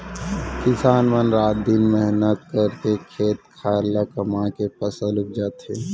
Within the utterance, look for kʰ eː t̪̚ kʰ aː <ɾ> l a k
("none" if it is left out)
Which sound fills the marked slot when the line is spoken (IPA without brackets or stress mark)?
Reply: ɾ